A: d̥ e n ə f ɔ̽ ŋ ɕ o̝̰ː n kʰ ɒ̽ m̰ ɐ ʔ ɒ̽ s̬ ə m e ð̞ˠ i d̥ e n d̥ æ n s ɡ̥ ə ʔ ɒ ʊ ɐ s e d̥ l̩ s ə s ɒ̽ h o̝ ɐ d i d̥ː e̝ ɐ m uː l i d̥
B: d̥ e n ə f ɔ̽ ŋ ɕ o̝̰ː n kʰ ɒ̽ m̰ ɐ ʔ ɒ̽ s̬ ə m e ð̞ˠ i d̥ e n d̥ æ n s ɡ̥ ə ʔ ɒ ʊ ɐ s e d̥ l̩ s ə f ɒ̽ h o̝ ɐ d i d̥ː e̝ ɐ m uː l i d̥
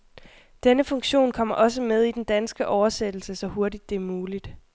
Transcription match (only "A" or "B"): A